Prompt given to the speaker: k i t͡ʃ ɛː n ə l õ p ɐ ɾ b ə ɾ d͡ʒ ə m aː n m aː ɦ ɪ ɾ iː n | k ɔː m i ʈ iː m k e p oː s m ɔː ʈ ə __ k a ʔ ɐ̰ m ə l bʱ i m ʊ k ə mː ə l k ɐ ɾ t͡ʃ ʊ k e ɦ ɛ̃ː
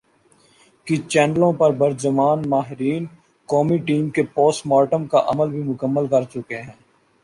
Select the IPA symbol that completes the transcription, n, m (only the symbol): m